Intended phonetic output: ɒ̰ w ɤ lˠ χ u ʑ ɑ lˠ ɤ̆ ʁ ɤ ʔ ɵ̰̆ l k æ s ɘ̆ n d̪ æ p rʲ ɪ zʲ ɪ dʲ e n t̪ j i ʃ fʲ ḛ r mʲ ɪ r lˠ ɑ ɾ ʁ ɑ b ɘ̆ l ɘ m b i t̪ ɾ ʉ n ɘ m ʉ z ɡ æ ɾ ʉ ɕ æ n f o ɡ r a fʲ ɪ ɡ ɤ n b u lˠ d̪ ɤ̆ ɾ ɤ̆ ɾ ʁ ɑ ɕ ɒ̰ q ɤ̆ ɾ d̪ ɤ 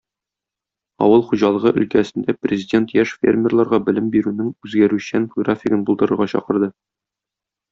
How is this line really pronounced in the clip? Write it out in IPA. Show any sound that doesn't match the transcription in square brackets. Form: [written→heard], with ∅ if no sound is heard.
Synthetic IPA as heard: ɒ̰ w ɤ lˠ χ u ʑ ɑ lˠ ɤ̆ ʁ ɤ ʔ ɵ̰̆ l k æ s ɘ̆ n d̪ æ p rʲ ɪ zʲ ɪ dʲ e n t̪ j [i→æ] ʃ fʲ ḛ r mʲ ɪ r lˠ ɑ ɾ ʁ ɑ b ɘ̆ l ɘ m b i [t̪→∅] ɾ ʉ n ɘ [m→ŋ] ʉ z ɡ æ ɾ ʉ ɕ æ n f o ɡ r a fʲ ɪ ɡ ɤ n b u lˠ d̪ ɤ̆ ɾ ɤ̆ ɾ ʁ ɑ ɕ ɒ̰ q ɤ̆ ɾ d̪ ɤ